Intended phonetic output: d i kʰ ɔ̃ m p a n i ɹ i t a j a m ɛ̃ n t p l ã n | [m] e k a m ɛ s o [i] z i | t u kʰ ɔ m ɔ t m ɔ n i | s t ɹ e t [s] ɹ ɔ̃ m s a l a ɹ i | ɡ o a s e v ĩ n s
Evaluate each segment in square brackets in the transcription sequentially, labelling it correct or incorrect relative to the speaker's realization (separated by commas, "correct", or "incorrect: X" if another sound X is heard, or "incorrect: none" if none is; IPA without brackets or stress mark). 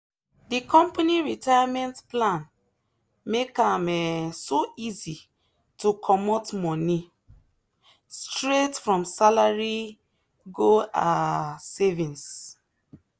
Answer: correct, correct, incorrect: f